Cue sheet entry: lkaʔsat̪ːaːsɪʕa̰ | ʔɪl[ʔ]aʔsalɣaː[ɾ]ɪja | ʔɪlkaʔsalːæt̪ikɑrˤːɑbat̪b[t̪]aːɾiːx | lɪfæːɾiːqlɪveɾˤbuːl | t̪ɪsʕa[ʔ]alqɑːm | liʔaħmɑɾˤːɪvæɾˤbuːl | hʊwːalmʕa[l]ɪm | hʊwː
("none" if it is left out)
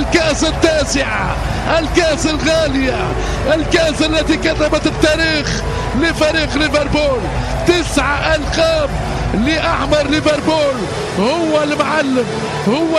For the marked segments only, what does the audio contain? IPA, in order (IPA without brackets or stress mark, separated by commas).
k, l, t̪, ʔ, lː